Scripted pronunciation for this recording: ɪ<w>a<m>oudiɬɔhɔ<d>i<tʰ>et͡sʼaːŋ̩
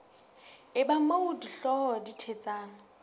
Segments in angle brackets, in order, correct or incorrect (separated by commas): incorrect, correct, correct, correct